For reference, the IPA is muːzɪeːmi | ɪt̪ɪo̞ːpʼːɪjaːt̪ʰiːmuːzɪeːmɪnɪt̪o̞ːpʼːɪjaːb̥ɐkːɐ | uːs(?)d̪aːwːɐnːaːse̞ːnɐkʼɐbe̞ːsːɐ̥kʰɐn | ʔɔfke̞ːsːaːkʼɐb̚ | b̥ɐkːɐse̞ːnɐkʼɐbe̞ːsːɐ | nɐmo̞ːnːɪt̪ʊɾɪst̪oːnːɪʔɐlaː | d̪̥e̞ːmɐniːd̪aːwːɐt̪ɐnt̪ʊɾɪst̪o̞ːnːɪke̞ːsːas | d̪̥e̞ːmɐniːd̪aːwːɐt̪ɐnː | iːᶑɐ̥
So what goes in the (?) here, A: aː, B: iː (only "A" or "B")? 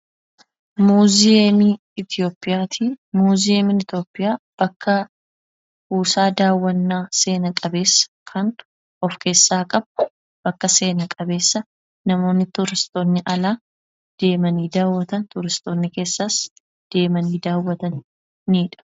A